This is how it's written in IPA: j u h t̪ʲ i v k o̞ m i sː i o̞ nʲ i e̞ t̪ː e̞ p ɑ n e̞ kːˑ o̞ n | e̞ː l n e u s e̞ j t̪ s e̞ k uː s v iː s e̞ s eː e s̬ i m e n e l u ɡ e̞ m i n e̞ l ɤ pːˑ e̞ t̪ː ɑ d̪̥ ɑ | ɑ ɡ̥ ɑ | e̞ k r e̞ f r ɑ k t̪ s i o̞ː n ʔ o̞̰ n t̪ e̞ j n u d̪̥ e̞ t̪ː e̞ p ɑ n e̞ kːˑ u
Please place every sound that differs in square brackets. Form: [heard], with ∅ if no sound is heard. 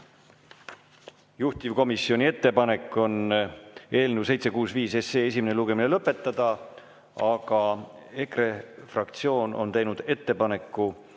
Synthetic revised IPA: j u h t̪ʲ i v k o̞ m i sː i o̞ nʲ i e̞ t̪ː e̞ p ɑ n e̞ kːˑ o̞ n | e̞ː l n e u s e̞ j t̪ s e̞ k uː s v iː s e̞ s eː e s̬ i m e n e l u ɡ e̞ m i n e̞ l ɤ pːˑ e̞ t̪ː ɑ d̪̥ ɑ | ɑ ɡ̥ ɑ | e̞ k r e̞ f r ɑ k t̪ s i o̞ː n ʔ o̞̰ n t̪ e̞ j n u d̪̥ e̞ t̪ː e̞ p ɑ n e̞ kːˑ u

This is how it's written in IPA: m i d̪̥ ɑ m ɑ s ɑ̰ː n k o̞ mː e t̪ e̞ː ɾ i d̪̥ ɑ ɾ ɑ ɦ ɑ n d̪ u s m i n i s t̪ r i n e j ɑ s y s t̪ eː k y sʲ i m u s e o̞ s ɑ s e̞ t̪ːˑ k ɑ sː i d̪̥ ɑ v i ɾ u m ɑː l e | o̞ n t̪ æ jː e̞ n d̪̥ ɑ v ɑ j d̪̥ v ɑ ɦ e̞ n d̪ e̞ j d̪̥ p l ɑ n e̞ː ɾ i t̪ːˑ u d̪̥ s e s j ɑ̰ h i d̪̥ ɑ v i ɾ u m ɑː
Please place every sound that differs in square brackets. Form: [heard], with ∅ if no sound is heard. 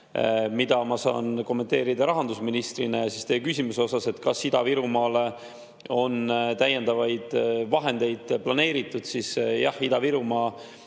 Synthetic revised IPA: m i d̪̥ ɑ m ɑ s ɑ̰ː n k o̞ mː e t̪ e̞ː ɾ i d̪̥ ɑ ɾ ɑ ɦ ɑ n d̪ u s m i n i s t̪ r i n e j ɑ s [i] s t̪ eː k y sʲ i m u s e o̞ s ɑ s e̞ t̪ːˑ k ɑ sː i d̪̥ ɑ v i ɾ u m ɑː l e | o̞ n t̪ æ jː e̞ n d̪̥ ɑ v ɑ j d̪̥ v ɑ ɦ e̞ n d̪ e̞ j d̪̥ p l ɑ n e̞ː ɾ i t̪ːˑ u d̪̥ s [i] s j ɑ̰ h i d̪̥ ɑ v i ɾ u m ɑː

